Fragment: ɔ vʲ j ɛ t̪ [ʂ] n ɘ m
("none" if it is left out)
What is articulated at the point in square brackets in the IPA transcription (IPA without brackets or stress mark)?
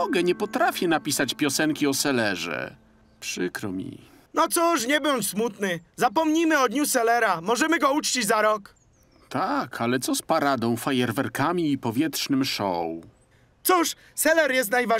ʂ